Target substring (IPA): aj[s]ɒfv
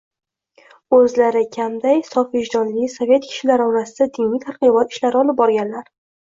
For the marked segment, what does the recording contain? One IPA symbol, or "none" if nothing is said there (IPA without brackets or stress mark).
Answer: s